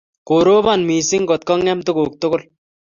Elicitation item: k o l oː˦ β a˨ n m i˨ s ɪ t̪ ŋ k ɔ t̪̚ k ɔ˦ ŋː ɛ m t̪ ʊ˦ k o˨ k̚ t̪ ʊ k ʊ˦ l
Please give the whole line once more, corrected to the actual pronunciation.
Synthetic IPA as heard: k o ɾ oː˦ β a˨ n m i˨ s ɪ ŋ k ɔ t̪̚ k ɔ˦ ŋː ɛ m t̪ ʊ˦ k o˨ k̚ t̪ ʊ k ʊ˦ l